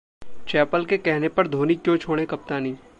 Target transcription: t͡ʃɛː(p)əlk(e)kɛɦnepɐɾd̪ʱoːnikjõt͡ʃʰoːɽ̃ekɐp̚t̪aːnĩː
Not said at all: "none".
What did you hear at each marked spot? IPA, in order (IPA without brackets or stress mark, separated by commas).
p, e